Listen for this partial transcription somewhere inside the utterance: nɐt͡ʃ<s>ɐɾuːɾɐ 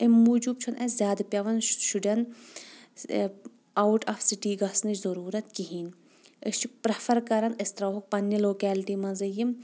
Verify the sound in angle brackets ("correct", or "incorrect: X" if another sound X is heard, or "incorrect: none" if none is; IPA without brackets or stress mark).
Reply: incorrect: z